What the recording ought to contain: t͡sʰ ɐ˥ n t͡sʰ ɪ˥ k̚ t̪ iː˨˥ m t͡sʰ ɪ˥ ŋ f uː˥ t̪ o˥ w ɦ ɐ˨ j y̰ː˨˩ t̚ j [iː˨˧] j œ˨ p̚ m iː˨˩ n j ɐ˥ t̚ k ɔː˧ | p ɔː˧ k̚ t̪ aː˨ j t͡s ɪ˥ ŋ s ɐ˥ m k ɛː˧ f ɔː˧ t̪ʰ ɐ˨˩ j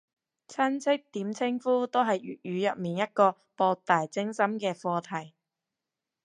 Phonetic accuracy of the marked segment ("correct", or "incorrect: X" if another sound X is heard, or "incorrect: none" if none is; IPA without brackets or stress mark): incorrect: yː˨˧